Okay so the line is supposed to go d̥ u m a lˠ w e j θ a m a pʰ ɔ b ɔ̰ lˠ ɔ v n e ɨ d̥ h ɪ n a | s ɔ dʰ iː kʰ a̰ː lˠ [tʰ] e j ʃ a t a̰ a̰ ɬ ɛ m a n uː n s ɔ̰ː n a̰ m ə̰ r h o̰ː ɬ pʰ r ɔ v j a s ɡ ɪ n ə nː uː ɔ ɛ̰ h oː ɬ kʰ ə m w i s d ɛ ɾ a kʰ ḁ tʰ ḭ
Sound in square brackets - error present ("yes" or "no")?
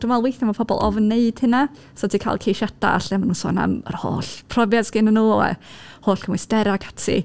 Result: yes